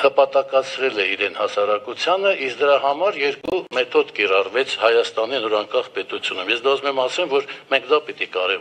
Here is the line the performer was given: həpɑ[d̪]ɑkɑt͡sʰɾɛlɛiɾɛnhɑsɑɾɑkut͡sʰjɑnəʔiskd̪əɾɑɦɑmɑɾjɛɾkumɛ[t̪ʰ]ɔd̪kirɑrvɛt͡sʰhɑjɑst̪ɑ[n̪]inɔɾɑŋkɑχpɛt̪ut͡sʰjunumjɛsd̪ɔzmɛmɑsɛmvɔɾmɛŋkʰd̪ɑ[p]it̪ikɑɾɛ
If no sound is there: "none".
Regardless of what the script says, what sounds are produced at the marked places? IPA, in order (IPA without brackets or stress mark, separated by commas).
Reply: t̪, t̪ʰ, n̪, p